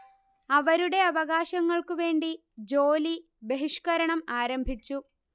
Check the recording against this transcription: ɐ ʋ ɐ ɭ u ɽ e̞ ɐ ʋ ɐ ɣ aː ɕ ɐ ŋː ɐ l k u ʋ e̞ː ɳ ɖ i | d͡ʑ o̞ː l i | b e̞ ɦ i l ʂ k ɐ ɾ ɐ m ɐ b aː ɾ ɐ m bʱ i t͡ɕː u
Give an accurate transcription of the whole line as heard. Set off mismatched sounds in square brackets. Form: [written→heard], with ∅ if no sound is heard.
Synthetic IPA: ɐ ʋ ɐ [ɭ→ɾ] u ɽ e̞ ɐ ʋ ɐ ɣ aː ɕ ɐ ŋː ɐ [l→ɭ] k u ʋ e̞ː ɳ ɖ i | d͡ʑ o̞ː l i | b e̞ ɦ i [l→∅] ʂ k ɐ ɾ ɐ [m→ɳ] ɐ [b→m] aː ɾ ɐ m bʱ i t͡ɕː u